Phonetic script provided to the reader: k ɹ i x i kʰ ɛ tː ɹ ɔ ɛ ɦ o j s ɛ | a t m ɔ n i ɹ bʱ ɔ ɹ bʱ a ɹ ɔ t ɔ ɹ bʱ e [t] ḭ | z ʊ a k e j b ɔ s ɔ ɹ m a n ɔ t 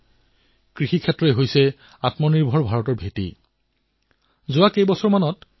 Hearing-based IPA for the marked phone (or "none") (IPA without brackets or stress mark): t